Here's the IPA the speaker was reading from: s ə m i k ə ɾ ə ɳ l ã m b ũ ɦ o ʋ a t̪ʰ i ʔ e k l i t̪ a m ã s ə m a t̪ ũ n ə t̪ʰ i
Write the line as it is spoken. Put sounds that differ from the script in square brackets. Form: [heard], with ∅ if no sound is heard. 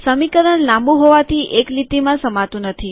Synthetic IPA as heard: s ə m i k ə ɾ ə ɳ l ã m b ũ ɦ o ʋ a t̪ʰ i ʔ e k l i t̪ [i] m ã s ə m a t̪ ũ n ə t̪ʰ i